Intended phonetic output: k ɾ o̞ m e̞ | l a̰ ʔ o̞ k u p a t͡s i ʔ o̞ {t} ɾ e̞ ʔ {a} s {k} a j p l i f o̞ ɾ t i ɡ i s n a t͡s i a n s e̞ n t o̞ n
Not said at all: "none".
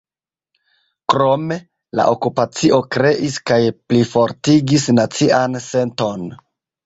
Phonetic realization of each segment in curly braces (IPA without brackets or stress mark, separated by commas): k, i, k